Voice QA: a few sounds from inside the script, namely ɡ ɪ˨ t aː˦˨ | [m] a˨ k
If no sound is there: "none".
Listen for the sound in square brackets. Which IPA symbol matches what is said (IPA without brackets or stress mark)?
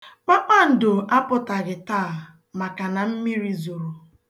m